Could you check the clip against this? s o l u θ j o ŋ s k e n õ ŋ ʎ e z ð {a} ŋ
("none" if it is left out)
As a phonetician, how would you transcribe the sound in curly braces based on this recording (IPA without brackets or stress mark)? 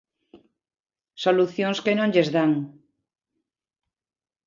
a